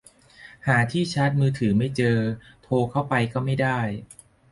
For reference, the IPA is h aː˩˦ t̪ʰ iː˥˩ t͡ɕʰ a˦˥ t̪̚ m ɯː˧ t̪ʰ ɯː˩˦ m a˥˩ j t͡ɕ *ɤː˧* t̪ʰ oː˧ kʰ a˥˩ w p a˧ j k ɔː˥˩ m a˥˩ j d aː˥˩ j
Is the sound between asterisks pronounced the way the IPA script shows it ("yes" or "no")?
yes